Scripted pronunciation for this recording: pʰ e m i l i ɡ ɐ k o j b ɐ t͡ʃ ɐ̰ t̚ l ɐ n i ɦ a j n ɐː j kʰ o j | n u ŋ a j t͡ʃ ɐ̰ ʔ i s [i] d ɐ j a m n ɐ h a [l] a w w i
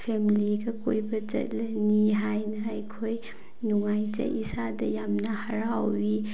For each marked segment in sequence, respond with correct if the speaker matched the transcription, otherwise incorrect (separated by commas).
incorrect, incorrect